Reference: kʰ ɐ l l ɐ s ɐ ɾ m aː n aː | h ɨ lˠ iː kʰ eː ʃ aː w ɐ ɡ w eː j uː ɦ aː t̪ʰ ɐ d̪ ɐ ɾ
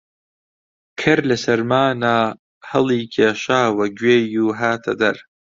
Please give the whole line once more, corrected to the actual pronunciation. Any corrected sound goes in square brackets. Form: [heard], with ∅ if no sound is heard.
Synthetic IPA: kʰ ɐ [ɾ] l ɐ s ɐ ɾ m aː n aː | h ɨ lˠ iː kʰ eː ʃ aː w ɐ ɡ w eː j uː ɦ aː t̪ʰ ɐ d̪ ɐ ɾ